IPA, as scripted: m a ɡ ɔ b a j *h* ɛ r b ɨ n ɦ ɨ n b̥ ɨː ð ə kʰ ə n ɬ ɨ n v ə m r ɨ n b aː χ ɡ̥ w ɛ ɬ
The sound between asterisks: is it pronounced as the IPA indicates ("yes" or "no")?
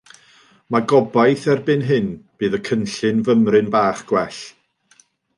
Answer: no